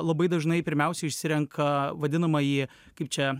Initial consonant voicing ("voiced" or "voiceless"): voiced